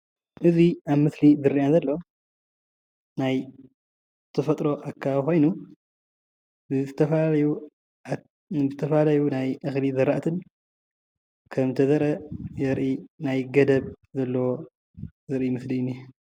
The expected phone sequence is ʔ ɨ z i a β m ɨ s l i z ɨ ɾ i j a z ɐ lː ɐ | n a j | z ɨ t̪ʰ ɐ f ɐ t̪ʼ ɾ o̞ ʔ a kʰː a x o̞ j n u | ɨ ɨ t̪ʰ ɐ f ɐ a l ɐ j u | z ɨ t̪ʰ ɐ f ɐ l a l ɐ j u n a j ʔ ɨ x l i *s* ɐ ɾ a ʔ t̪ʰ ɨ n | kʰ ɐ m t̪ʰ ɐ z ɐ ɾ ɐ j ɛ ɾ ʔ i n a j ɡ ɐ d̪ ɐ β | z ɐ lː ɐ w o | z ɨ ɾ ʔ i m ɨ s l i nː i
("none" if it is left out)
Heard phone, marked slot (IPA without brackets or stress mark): z